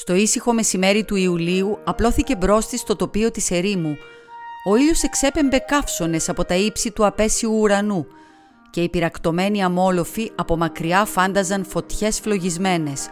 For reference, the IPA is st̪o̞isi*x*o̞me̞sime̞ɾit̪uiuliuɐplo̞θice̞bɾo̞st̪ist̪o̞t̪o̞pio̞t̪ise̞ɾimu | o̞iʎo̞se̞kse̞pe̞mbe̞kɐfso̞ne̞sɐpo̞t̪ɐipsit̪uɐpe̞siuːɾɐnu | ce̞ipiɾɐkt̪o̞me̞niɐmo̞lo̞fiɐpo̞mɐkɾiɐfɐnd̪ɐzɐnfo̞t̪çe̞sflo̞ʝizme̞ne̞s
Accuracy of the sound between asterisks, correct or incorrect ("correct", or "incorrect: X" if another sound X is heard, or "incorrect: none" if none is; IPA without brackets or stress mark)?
correct